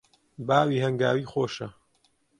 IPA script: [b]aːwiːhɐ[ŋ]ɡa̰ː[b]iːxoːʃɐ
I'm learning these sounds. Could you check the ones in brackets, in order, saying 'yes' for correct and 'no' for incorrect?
yes, yes, no

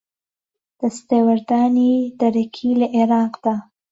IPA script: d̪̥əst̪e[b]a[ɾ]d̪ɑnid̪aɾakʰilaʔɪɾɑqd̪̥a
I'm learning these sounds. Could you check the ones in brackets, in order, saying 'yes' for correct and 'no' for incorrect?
no, yes

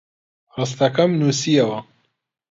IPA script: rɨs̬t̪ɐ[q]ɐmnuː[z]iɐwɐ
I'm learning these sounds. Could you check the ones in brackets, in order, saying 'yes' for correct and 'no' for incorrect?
no, no

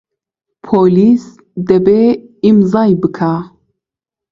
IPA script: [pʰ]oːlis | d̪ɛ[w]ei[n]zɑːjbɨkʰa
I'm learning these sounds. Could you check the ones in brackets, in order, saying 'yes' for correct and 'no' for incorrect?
yes, no, no

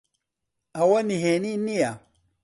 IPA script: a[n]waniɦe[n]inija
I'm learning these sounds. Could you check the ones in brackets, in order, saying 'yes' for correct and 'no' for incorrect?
no, yes

